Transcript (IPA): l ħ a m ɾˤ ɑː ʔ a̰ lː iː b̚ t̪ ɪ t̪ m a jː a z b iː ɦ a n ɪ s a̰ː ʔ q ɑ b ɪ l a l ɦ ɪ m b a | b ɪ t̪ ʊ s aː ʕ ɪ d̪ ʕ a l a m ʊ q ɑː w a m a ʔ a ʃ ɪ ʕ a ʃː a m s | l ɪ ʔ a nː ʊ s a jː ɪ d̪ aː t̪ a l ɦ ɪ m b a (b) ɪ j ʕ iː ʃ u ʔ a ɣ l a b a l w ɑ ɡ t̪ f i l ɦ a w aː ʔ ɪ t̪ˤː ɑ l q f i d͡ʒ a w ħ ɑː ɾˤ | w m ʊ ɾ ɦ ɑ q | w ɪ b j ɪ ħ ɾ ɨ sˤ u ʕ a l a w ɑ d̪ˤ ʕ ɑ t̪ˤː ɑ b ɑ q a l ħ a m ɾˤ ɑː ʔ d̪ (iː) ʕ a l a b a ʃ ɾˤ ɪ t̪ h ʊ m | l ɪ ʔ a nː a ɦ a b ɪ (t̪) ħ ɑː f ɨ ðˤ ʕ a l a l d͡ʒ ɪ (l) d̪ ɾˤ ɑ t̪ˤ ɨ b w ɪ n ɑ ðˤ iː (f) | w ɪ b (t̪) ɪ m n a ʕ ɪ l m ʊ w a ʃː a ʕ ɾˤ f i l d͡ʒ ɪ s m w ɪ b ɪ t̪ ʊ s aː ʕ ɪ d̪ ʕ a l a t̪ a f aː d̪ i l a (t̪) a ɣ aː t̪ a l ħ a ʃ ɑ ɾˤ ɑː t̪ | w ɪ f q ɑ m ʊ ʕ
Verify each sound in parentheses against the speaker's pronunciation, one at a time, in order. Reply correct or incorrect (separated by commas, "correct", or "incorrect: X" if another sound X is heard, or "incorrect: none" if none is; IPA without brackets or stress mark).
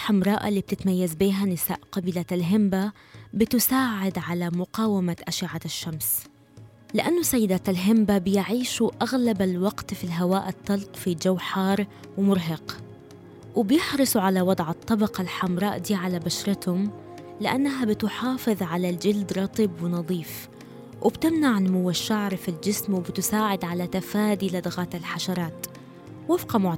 correct, correct, correct, correct, correct, correct, incorrect: d̪